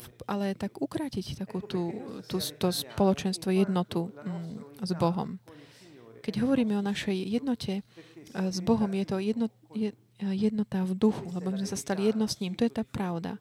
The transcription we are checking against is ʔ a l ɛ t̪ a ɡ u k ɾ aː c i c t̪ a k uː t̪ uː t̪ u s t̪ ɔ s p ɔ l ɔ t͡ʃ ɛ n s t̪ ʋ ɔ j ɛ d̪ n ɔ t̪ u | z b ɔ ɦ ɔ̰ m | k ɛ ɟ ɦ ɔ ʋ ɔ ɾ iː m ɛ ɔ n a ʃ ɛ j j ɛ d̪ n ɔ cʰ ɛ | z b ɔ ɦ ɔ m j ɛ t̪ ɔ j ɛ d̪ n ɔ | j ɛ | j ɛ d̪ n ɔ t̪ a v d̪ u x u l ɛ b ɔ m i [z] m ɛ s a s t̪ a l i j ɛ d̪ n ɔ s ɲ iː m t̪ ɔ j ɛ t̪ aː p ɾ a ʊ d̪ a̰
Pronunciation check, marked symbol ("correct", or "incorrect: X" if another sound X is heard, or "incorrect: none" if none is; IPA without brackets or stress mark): correct